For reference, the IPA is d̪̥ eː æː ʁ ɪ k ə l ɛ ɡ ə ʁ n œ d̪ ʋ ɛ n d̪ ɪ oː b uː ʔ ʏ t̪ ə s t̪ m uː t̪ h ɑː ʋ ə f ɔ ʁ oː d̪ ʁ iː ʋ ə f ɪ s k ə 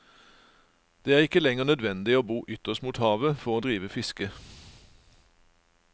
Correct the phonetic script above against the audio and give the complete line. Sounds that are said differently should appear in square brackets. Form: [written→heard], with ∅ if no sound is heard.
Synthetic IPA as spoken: d̪̥ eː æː ʁ ɪ k ə l ɛ [ɡ→ŋ] ə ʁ n œ d̪ ʋ ɛ n d̪ ɪ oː b uː ʔ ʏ t̪ ə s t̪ m uː t̪ h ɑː ʋ ə f ɔ ʁ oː d̪ ʁ iː ʋ ə f ɪ s k ə

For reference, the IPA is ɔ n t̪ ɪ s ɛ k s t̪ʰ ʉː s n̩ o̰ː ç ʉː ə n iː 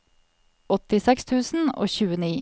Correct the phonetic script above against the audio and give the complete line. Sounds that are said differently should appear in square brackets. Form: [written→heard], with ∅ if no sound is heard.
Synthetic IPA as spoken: ɔ [n→∅] t̪ ɪ s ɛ k s t̪ʰ ʉː s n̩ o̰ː ç ʉː ə n iː

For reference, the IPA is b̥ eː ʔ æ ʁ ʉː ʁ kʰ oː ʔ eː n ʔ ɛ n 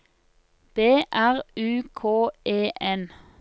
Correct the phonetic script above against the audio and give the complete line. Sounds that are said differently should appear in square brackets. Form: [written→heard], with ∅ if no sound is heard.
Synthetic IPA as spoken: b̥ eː ʔ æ ʁ ʉː [ʁ→∅] kʰ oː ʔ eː [n→∅] ʔ ɛ n

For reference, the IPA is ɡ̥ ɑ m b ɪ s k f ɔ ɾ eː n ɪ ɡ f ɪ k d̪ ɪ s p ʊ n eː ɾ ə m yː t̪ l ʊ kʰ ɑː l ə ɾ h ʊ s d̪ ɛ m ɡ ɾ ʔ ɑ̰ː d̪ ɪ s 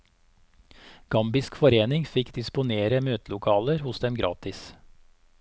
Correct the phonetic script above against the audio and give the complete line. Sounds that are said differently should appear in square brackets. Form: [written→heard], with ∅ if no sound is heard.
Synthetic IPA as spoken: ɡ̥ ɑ m b ɪ s k f ɔ ɾ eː n ɪ [ɡ→ŋ] f ɪ k d̪ ɪ s p ʊ n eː ɾ ə m [yː→øː] t̪ l ʊ kʰ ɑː l ə ɾ h ʊ s d̪ ɛ m ɡ ɾ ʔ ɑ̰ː [d̪→t̪] ɪ s

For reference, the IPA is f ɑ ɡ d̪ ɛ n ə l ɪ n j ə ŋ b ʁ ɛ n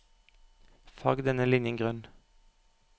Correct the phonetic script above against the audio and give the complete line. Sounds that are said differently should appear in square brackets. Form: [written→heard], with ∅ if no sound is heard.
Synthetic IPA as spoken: f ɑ ɡ d̪ ɛ n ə l ɪ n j ə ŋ [b→ɡ] ʁ [ɛ→œ] n

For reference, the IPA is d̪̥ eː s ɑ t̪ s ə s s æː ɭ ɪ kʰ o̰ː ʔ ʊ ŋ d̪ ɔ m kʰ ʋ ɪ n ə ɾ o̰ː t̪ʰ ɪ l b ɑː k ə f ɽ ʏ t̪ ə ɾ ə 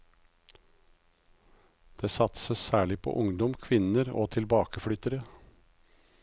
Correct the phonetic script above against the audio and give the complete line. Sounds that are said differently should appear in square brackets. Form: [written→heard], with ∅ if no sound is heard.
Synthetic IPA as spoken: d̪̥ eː s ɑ t̪ s ə s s æː ɭ ɪ [kʰ→pʰ] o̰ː ʔ ʊ ŋ d̪ ɔ m kʰ ʋ ɪ n ə ɾ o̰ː t̪ʰ ɪ l b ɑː k ə f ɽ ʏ t̪ ə ɾ ə

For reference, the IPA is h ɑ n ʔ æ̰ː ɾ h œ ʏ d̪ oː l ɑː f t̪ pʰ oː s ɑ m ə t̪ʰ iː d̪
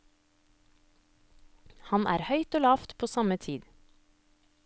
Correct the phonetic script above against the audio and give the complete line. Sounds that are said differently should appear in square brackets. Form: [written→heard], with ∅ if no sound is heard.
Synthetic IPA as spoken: h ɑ n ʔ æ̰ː ɾ h œ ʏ [d̪→t̪] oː l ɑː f t̪ pʰ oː s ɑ m ə t̪ʰ iː d̪

